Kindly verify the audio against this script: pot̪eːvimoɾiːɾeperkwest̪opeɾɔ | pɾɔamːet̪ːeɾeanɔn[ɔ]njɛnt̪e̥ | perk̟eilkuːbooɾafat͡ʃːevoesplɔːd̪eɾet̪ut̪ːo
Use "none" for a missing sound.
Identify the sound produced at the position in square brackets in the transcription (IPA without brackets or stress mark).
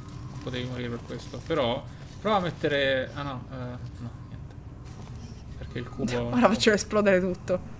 ɔ